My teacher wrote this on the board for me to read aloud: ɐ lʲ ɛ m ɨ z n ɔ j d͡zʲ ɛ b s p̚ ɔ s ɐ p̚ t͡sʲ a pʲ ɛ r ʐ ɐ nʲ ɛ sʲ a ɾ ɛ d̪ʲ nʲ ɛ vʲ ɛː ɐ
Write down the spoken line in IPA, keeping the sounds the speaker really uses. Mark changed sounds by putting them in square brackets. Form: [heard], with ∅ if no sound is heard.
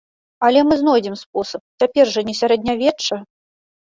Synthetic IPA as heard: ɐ lʲ ɛ m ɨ z n ɔ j d͡zʲ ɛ [m] s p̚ ɔ s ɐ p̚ t͡sʲ a pʲ ɛ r ʐ ɐ nʲ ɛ sʲ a ɾ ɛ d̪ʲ nʲ [a] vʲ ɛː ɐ

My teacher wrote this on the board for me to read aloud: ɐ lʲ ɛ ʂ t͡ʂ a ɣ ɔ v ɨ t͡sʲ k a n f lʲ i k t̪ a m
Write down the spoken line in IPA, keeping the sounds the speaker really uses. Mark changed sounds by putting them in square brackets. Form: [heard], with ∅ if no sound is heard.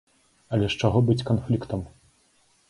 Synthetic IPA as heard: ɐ lʲ ɛ ʂ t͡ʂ a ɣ ɔ [b] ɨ t͡sʲ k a n f lʲ i k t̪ [ɐ] m

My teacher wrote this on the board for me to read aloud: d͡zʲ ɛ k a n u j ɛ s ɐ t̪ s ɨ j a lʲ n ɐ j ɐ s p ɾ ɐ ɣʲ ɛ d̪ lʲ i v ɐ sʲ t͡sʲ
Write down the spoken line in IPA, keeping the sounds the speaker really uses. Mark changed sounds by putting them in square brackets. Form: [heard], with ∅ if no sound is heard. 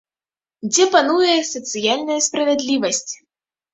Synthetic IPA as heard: d͡zʲ ɛ [p] a n u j ɛ s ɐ t̪ s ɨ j a lʲ n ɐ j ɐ s p ɾ ɐ [vʲ] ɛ d̪ lʲ i v ɐ sʲ t͡sʲ

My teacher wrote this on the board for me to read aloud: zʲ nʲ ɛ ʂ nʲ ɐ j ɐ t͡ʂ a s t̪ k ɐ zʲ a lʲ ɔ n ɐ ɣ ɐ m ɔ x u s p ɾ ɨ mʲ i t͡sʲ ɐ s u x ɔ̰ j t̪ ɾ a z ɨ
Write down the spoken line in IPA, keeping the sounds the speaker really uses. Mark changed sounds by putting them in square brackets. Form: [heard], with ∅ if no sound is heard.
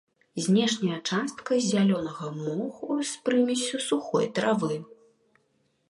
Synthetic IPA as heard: zʲ nʲ ɛ ʂ nʲ ɐ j ɐ t͡ʂ a s t̪ k ɐ zʲ a lʲ ɔ n ɐ ɣ ɐ m ɔ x u s p ɾ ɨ mʲ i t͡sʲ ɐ s u x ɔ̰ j t̪ ɾ a [v] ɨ

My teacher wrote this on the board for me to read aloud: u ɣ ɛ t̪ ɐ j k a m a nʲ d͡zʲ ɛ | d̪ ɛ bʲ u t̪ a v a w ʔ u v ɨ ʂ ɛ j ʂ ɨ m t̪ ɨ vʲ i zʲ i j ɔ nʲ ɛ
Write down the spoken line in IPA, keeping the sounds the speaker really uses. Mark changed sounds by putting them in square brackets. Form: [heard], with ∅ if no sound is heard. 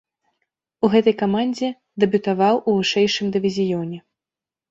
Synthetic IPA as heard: u ɣ ɛ t̪ ɐ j k a m a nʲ d͡zʲ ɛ | d̪ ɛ bʲ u t̪ a v a w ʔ u v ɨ ʂ ɛ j ʂ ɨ m [d̪] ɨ vʲ i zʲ i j ɔ nʲ ɛ

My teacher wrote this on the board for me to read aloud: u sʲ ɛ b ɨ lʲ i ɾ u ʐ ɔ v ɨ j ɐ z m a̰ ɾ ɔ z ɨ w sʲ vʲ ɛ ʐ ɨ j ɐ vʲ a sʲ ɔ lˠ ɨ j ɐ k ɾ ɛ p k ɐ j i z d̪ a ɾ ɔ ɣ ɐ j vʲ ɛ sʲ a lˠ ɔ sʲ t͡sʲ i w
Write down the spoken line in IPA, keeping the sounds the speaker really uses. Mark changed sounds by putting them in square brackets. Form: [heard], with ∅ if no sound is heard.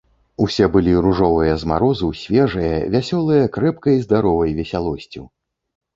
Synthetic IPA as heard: u sʲ ɛ b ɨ lʲ i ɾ u ʐ ɔ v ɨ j ɐ z m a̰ ɾ ɔ z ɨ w sʲ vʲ ɛ ʐ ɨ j ɐ vʲ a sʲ ɔ lˠ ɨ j ɐ k ɾ ɛ p k ɐ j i z d̪ a ɾ ɔ [v] ɐ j vʲ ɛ sʲ a lˠ ɔ sʲ t͡sʲ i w

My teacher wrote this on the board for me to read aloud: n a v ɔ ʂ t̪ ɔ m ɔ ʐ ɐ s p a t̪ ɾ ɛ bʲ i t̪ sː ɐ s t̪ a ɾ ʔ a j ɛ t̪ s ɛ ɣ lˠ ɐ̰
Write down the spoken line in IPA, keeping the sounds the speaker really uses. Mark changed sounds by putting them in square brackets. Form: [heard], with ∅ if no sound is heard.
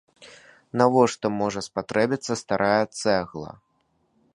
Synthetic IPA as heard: n a v ɔ ʂ t̪ ɔ m ɔ ʐ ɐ s p a t̪ ɾ ɛ bʲ i t̪ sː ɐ s t̪ a ɾ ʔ a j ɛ t̪ s ɛ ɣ lˠ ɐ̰

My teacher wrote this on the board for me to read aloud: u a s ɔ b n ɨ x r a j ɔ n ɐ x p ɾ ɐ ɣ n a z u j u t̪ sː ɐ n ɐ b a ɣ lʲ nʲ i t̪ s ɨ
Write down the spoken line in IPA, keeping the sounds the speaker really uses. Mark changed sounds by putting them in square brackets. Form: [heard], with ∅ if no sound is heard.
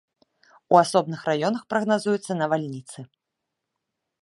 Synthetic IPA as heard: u a s ɔ b n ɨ x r a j ɔ n ɐ x p ɾ ɐ ɣ n a z u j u t̪ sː ɐ n ɐ [v] a [∅] lʲ nʲ i t̪ s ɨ

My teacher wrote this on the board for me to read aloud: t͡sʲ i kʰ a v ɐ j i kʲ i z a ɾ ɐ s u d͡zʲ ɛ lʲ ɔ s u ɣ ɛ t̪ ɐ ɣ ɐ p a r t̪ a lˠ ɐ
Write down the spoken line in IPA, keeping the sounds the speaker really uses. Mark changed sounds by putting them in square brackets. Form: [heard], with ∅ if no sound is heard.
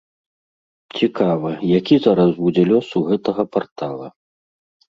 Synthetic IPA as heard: t͡sʲ i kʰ a v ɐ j [a] kʲ i z a ɾ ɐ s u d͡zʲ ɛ lʲ ɔ s u ɣ ɛ t̪ ɐ ɣ ɐ p a r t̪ a lˠ ɐ

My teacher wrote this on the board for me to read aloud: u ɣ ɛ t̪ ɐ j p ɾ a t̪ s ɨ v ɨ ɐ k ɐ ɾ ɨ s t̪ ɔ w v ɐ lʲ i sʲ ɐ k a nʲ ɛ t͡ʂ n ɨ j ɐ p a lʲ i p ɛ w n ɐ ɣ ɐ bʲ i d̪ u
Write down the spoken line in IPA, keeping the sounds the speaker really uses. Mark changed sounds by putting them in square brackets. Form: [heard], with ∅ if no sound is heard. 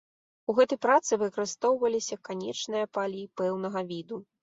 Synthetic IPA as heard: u ɣ ɛ t̪ ɐ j p ɾ a t̪ s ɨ v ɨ ɐ k ɐ ɾ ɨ s t̪ ɔ w v ɐ lʲ i sʲ ɐ k a nʲ ɛ t͡ʂ n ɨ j ɐ p a lʲ i p ɛ w n ɐ ɣ ɐ [vʲ] i d̪ u

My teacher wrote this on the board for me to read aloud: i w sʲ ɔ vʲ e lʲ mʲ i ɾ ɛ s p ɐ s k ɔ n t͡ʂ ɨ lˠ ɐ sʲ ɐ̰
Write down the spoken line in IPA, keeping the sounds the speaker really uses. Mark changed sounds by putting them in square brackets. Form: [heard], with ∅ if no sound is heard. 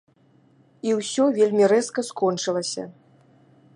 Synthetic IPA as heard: i w sʲ ɔ vʲ e lʲ mʲ i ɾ ɛ s [k] ɐ s k ɔ n t͡ʂ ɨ lˠ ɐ sʲ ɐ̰

